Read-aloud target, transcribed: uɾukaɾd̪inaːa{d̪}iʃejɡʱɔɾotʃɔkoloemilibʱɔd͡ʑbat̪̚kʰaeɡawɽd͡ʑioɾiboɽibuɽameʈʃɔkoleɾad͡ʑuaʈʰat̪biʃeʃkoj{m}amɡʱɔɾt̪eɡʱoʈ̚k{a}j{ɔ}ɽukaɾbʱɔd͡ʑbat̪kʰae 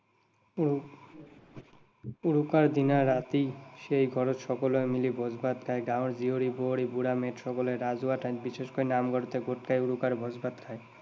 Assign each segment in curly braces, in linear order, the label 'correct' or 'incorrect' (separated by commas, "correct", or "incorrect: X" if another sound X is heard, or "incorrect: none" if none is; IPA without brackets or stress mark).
incorrect: t̪, incorrect: n, correct, incorrect: u